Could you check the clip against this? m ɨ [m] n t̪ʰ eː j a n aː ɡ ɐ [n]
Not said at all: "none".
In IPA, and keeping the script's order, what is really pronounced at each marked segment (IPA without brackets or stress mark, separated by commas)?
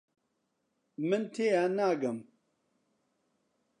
none, m